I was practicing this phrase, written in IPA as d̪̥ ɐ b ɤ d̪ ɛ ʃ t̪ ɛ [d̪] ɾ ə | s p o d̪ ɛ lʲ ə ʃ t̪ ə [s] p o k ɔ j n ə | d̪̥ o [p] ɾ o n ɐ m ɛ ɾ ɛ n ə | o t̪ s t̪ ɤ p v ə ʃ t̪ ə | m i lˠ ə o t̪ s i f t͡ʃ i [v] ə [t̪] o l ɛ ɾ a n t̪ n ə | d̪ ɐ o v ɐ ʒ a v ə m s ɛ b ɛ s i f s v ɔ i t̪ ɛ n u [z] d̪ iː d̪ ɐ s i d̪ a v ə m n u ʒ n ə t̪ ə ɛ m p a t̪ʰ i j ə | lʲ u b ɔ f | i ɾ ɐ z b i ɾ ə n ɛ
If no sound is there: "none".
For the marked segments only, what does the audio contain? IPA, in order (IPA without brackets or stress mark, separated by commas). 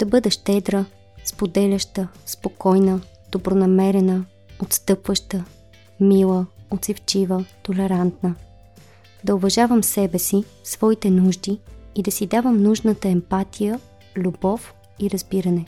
d̪, s, b, v, t̪, ʒ